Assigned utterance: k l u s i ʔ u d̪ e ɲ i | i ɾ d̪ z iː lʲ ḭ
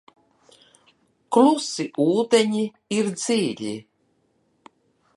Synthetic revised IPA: k l u s i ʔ uː d̪ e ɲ i | i ɾ d̪ z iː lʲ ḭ